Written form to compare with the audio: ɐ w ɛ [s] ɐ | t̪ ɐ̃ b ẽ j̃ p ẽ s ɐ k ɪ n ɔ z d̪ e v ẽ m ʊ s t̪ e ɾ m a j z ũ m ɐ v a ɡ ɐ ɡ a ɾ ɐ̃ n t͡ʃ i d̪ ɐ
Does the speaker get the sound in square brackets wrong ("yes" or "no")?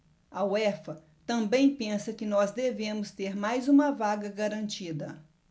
yes